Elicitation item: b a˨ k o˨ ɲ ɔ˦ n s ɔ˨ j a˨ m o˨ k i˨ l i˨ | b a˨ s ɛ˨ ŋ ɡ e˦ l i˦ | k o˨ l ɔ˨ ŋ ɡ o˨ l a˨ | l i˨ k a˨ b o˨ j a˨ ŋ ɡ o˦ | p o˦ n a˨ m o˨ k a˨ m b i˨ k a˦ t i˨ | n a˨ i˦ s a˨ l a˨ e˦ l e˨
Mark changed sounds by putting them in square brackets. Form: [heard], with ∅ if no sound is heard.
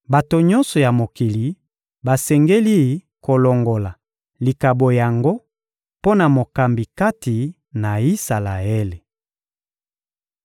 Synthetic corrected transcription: b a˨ [t] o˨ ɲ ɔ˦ n s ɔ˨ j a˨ m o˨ k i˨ l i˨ | b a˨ s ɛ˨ ŋ ɡ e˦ l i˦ | k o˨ l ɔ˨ ŋ ɡ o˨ l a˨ | l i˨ k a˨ b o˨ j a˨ ŋ ɡ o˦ | p o˦ n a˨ m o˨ k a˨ m b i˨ k a˦ t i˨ | n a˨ i˦ s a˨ l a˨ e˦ l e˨